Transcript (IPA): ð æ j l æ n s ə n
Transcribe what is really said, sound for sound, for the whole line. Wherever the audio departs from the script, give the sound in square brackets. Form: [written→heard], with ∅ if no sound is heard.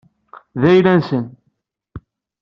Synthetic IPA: ð æ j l æ n s ə n